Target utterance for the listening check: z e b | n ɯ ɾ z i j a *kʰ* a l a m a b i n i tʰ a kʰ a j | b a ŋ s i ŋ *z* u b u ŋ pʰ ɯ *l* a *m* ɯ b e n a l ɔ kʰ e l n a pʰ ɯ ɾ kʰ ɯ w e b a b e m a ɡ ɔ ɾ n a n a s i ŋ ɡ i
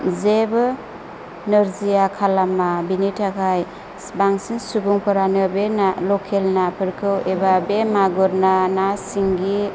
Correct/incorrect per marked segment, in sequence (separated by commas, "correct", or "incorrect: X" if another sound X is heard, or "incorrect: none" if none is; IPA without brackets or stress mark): correct, incorrect: s, incorrect: ɾ, incorrect: n